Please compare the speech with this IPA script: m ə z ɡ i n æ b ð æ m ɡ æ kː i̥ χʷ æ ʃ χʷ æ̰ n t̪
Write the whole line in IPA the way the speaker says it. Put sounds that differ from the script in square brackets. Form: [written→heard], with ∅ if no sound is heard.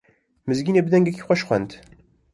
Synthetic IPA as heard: m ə z ɡ i n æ b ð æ [m→ŋ] ɡ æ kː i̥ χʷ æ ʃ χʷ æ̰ n t̪